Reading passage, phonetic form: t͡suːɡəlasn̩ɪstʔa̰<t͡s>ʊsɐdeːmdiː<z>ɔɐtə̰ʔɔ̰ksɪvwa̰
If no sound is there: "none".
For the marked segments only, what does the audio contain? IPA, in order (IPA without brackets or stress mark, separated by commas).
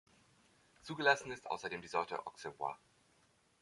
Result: none, z